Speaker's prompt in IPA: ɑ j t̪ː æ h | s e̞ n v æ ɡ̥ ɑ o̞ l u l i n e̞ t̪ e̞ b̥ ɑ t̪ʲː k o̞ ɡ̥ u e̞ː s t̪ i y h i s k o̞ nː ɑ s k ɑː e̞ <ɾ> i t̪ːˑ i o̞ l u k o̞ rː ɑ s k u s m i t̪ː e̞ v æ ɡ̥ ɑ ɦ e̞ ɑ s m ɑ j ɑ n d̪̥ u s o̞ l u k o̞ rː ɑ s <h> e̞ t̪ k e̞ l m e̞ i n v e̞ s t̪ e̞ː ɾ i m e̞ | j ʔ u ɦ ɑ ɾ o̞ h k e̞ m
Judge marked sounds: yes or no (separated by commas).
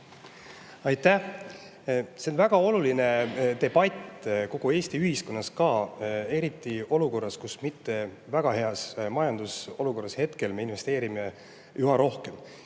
yes, yes